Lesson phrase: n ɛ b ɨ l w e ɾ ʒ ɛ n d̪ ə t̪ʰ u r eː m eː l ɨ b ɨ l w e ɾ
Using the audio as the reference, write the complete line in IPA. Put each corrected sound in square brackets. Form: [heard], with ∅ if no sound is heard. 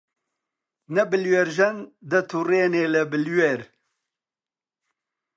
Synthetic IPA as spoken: n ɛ b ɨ l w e ɾ ʒ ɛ n d̪ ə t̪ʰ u r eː [n] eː l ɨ b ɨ l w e ɾ